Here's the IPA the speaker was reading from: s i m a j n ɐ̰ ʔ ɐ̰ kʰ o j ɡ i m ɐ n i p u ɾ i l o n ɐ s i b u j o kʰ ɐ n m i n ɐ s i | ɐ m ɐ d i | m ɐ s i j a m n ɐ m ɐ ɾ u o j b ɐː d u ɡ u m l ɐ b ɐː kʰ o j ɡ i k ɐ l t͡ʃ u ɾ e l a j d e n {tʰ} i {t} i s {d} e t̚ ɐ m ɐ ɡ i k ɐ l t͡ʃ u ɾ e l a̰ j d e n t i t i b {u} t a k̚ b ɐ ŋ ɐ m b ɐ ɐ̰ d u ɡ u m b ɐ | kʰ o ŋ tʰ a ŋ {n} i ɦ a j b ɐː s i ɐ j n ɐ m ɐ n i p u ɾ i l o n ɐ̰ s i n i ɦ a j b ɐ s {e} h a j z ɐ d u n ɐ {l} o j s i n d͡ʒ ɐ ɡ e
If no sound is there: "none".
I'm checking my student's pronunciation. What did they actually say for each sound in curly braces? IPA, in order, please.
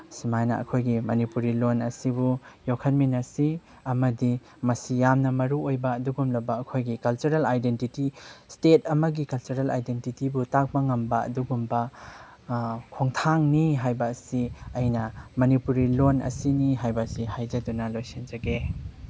t, t, t, u, n, i, l

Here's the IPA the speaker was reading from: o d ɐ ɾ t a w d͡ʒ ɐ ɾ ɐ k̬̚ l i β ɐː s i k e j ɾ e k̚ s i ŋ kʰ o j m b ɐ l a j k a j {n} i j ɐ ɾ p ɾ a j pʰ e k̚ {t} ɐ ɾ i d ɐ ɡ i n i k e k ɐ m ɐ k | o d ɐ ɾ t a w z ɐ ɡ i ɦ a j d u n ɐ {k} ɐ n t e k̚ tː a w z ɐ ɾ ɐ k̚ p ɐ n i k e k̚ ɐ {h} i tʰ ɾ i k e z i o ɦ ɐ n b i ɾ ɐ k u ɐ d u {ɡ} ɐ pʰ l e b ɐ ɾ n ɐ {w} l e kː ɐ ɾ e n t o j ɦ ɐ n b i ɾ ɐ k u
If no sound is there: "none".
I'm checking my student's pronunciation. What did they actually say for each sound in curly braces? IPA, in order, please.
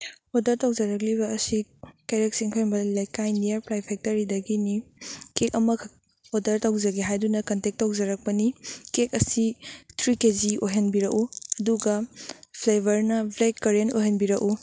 n, t, k, s, ɡ, b

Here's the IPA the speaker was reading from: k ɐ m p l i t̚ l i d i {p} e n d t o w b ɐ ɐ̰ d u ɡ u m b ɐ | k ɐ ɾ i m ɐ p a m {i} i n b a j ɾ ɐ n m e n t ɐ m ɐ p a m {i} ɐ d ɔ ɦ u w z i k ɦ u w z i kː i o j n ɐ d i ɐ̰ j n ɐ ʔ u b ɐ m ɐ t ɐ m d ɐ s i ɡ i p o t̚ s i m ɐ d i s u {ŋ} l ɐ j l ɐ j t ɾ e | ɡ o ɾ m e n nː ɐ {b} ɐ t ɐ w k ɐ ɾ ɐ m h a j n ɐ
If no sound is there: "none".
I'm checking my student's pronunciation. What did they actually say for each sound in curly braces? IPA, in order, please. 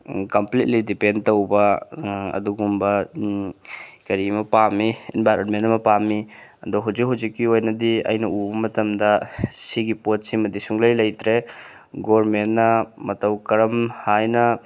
p, i, i, ŋ, m

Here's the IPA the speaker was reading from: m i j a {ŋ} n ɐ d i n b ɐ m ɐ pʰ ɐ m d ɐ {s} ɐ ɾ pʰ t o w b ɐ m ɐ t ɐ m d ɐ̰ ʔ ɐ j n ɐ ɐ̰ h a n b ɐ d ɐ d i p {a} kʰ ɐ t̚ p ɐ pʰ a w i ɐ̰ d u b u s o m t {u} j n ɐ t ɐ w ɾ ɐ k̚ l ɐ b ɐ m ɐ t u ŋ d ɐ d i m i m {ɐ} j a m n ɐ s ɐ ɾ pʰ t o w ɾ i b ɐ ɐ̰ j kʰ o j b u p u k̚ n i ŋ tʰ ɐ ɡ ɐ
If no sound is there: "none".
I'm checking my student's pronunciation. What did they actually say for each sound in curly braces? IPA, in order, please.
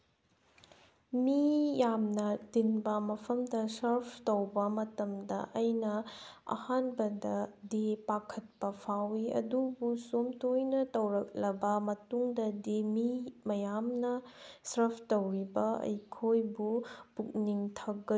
m, s, a, o, ɐ

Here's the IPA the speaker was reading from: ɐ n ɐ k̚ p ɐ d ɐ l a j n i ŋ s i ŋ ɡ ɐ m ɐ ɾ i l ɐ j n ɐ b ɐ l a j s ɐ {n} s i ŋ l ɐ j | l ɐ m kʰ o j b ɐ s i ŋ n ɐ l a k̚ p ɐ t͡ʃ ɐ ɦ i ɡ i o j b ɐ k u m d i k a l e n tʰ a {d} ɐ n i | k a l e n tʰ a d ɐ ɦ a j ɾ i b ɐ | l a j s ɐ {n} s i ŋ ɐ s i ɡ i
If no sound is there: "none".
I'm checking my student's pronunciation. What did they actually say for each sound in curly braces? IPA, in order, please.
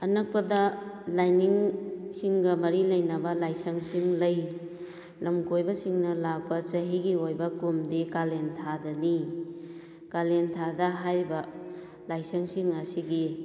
ŋ, d, ŋ

